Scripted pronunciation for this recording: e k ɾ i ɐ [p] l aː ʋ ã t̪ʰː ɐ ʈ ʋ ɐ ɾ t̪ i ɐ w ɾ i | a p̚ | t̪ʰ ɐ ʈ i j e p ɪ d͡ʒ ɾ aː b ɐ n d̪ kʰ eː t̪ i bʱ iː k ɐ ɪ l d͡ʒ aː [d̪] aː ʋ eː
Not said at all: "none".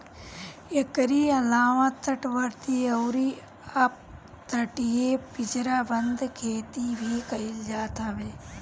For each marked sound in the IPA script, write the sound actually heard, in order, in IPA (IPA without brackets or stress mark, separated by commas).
none, t̪